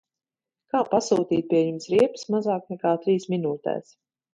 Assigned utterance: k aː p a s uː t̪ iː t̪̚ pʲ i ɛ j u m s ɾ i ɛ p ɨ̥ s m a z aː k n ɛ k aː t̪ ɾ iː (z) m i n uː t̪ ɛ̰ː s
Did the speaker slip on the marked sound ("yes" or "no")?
yes